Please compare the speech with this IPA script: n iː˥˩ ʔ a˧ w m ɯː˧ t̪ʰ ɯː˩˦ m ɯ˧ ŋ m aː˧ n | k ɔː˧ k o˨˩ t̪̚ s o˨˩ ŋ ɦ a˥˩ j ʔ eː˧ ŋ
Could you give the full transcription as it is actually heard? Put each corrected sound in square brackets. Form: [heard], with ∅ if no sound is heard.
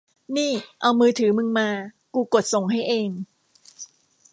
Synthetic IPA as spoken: n iː˥˩ ʔ a˧ w m ɯː˧ t̪ʰ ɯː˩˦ m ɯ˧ ŋ m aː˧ [∅] | k [uː˧] k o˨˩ t̪̚ s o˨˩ ŋ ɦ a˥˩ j ʔ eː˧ ŋ